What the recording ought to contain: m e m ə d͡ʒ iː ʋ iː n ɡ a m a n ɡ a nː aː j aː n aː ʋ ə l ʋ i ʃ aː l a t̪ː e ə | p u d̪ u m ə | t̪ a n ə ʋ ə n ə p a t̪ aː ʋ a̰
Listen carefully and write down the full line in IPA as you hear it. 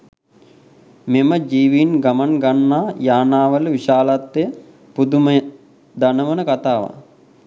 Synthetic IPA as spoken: m e m ə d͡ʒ iː ʋ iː n ɡ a m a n ɡ a nː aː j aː n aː ʋ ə l ʋ i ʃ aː l a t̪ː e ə | p u d̪ u m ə | d̪ a n ə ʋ ə n ə k a t̪ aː ʋ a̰